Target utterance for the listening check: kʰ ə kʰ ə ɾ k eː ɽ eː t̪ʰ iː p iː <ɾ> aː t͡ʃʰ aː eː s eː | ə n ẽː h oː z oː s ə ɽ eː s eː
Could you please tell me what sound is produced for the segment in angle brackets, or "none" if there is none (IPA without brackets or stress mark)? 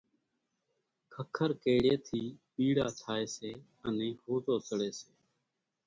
ɽ